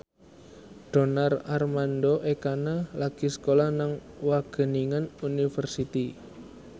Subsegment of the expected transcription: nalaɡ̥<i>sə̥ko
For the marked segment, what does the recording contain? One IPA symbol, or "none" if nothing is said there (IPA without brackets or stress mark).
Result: i